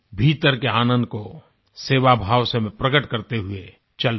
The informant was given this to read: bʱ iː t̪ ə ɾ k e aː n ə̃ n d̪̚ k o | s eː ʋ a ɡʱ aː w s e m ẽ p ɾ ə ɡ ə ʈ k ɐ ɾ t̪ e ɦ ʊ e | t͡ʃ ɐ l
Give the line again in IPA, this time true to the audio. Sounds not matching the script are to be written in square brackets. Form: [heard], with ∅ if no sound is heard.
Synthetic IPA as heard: bʱ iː t̪ ə ɾ k e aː n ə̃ n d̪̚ k o | s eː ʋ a [bʱ] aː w s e m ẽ p ɾ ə ɡ ə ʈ k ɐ ɾ t̪ e ɦ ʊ e | t͡ʃ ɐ l